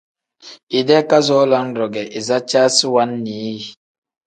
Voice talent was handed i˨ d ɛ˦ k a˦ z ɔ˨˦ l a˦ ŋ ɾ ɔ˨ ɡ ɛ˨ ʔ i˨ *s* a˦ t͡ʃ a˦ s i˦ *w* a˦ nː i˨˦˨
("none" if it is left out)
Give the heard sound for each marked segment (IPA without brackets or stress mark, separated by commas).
z, w